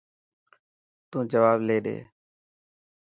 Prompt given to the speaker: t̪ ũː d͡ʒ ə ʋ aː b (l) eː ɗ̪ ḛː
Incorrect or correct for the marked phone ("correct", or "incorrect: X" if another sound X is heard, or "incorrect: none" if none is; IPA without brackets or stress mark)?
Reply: correct